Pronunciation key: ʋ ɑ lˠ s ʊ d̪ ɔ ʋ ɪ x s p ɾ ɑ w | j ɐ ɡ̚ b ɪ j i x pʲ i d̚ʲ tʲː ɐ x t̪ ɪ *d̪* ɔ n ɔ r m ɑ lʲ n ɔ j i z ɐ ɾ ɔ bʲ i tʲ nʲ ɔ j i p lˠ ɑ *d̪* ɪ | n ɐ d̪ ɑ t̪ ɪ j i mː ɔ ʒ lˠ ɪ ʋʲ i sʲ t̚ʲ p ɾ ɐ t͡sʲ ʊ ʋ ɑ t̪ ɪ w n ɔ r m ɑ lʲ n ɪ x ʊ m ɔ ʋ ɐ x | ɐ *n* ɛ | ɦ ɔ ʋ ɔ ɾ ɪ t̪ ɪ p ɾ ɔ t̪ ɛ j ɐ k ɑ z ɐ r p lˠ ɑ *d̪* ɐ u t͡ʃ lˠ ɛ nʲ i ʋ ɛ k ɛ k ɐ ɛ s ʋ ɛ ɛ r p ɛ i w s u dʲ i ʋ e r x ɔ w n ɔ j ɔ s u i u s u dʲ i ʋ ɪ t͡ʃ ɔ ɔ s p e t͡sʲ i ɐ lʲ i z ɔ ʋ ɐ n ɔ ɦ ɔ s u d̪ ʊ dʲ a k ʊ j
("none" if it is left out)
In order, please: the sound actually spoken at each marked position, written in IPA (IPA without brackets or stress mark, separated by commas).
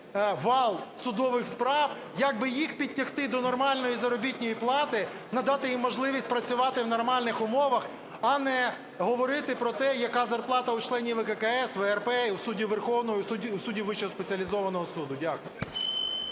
d̪, t̪, n, t̪